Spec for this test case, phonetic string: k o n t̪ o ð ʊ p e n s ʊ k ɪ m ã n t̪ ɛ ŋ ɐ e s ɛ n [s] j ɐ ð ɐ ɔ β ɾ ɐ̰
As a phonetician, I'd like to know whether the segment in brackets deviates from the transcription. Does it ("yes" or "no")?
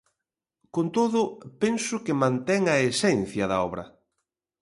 yes